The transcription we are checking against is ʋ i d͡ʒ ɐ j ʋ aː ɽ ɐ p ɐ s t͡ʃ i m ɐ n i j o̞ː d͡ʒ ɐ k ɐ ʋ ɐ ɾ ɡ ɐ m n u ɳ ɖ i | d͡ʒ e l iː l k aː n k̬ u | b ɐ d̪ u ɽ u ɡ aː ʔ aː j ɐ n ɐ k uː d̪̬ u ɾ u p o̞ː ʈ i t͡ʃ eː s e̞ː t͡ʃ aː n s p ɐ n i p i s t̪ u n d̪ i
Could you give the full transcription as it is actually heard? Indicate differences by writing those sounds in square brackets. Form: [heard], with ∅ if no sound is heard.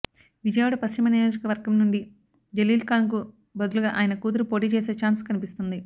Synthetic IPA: ʋ i d͡ʒ ɐ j ʋ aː ɽ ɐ p ɐ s t͡ʃ i m ɐ n i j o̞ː d͡ʒ ɐ k ɐ ʋ ɐ ɾ ɡ ɐ m n u ɳ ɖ i | d͡ʒ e l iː l k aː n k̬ u | b ɐ d̪ u [l] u ɡ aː ʔ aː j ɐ n ɐ k uː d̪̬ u ɾ u p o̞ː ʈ [iː] t͡ʃ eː s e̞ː t͡ʃ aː n s [k] ɐ n i p i s t̪ u n d̪ i